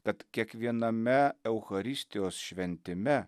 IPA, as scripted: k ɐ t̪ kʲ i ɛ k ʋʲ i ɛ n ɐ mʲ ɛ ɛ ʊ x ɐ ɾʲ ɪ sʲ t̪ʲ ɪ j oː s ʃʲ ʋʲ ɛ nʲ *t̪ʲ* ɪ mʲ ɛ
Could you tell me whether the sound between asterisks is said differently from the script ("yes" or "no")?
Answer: no